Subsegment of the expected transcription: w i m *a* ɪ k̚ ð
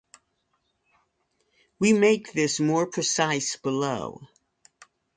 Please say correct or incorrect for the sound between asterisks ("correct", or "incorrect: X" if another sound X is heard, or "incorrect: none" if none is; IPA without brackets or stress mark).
incorrect: e